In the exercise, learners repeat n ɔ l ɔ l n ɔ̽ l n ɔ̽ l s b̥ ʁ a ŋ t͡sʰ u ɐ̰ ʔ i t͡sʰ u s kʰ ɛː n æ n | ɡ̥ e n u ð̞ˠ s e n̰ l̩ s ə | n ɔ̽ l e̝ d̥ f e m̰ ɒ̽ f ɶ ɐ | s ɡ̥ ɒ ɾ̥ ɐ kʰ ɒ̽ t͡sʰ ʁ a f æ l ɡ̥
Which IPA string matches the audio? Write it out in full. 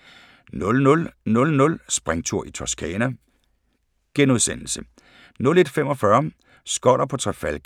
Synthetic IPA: n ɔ l ɔ l n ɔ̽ l n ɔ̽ l s b̥ ʁ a ŋ t͡sʰ u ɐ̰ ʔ i t͡sʰ ɒ s kʰ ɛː n æ | ɡ̥ e n u ð̞ˠ s e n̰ l̩ s ə | n ɔ̽ l e̝ d̥ f e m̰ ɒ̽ f ɶ ɐ | s ɡ̥ ɒ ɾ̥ ɐ pʰ ɒ̽ t͡sʰ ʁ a f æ l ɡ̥